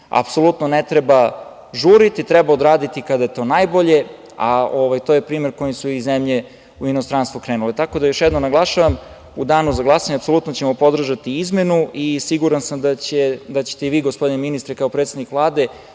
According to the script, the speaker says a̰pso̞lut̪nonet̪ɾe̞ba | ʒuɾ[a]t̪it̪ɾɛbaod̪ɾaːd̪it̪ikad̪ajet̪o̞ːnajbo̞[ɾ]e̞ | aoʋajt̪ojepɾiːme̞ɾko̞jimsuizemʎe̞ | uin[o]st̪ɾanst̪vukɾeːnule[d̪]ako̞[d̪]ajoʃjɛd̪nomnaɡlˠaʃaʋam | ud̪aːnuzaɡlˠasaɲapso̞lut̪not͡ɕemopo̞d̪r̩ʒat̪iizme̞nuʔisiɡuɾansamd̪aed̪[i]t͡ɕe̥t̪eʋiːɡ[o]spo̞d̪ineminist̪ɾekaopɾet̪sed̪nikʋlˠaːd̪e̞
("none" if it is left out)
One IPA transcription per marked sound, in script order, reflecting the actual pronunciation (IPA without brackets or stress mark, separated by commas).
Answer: i, ʎ, o, t̪, d̪, a, o